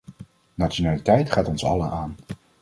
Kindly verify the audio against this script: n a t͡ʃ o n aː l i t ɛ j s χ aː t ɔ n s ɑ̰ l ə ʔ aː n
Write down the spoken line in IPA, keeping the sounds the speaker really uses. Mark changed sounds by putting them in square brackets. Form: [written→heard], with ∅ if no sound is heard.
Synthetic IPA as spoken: n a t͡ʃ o n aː l i t ɛ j [s→t] χ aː t ɔ n s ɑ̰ l ə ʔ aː n